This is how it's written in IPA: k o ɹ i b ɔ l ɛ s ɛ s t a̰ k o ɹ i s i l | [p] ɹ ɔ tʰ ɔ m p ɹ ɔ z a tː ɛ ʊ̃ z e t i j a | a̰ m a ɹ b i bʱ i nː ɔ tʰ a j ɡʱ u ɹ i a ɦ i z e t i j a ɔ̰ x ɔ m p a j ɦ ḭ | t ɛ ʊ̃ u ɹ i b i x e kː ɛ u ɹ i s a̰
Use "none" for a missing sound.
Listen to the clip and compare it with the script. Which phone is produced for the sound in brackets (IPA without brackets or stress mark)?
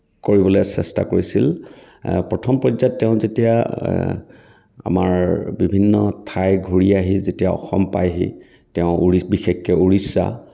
p